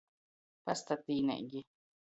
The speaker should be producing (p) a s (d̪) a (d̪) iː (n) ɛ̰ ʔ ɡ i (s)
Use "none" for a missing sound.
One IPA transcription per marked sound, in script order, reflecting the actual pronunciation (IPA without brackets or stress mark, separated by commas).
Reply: p, t̪, t̪, n, none